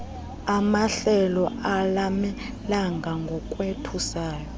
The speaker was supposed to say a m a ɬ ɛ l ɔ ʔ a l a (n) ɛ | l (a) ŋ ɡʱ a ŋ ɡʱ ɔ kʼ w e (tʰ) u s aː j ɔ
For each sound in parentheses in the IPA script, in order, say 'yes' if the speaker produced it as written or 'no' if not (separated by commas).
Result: no, yes, yes